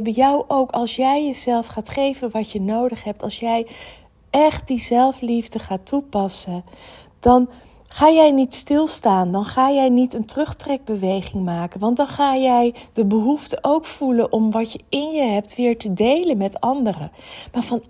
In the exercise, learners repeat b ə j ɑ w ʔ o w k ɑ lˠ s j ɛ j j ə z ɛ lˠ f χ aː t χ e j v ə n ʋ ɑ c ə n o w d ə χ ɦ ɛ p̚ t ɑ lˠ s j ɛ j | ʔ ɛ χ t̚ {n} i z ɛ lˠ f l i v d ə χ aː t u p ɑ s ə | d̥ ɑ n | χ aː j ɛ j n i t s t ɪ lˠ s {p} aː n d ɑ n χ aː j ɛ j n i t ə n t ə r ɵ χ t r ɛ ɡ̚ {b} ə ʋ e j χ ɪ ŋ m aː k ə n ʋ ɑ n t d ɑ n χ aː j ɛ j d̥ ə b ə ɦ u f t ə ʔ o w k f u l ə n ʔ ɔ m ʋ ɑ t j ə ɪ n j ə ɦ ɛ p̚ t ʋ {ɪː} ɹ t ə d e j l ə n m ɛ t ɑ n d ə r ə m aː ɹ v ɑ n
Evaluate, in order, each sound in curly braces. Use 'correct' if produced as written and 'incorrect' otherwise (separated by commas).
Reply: incorrect, incorrect, correct, correct